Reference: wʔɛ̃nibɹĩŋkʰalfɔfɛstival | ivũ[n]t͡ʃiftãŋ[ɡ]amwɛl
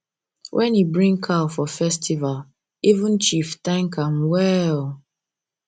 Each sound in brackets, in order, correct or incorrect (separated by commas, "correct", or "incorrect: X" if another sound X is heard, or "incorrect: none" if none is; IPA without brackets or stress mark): correct, incorrect: k